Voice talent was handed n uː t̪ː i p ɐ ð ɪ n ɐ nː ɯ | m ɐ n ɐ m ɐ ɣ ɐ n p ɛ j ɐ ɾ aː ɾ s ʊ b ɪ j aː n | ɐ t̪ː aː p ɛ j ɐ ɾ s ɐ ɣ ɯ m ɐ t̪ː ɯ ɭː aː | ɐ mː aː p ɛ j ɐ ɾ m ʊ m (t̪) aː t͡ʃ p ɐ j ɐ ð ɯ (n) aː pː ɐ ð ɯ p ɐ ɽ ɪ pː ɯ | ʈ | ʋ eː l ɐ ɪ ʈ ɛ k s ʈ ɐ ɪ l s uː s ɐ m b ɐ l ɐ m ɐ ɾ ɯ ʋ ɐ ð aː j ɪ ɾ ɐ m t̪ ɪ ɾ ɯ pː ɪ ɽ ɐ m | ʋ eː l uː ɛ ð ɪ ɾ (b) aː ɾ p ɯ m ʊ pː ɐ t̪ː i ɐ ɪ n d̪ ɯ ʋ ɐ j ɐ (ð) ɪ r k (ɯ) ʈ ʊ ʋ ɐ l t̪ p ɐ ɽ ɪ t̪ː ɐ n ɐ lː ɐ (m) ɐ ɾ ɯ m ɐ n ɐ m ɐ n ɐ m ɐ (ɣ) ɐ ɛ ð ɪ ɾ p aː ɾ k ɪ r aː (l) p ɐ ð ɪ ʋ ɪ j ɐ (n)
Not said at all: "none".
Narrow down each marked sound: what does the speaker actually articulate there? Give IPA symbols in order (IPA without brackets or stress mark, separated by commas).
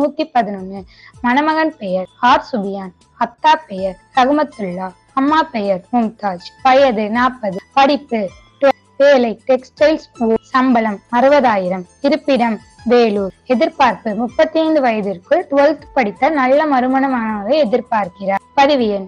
t̪, n, p, ð, ɯ, m, ɣ, ɾ, n